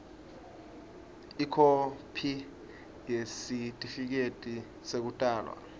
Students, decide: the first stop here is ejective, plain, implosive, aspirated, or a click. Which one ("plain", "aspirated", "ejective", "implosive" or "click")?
aspirated